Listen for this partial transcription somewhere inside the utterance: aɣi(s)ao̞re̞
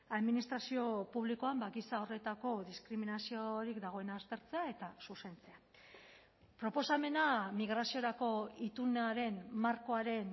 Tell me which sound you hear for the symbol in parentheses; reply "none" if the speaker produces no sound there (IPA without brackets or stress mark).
s